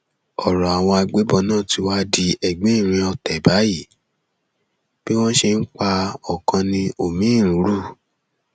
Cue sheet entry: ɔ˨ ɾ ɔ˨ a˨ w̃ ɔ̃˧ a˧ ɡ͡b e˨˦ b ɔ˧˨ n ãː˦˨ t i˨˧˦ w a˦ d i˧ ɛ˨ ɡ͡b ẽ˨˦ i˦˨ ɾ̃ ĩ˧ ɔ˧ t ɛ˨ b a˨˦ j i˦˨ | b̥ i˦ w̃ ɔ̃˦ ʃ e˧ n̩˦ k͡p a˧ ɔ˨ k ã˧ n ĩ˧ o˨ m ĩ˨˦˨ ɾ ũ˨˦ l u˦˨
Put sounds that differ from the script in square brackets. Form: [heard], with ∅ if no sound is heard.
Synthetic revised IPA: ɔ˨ ɾ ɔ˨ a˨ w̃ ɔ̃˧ a˧ ɡ͡b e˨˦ b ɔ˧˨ n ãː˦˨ t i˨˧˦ w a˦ d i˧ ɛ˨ ɡ͡b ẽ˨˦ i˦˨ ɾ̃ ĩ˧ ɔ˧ t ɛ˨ b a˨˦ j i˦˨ | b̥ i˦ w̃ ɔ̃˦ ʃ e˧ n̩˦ k͡p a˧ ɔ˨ k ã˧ n ĩ˧ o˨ m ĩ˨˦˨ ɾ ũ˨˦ [ɾ] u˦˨